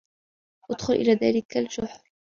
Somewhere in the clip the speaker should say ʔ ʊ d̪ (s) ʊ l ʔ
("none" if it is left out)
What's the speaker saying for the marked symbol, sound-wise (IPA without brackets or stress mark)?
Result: x